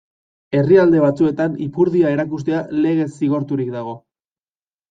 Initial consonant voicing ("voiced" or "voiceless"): voiced